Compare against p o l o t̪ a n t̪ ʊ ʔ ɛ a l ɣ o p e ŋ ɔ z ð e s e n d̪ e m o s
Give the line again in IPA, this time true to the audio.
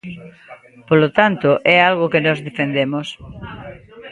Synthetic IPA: p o l o t̪ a n t̪ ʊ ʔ ɛ a l ɣ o k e n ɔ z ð e f e n d̪ e m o s